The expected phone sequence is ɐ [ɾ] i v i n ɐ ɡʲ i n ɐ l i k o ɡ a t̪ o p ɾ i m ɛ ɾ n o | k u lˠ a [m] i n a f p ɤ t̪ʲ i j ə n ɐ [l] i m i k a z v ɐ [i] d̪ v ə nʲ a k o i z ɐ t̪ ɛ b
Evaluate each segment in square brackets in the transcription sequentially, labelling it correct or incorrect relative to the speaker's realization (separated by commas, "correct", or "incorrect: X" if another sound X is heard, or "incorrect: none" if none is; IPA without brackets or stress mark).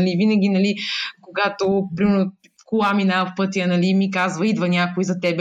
incorrect: l, correct, correct, correct